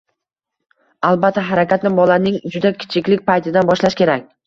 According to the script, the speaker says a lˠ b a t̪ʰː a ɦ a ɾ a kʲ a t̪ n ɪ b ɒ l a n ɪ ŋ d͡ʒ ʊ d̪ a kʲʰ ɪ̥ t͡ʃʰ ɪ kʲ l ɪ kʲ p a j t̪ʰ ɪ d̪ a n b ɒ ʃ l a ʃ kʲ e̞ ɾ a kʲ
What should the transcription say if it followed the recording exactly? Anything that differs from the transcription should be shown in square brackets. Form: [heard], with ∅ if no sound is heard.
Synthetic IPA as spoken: a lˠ b a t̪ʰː a ɦ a ɾ a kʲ a t̪ n ɪ b ɒ l a n ɪ ŋ d͡ʒ ʊ d̪ a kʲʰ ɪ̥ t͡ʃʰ ɪ kʲ l ɪ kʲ p a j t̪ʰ ɪ d̪ a n b ɒ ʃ l a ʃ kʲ e̞ ɾ a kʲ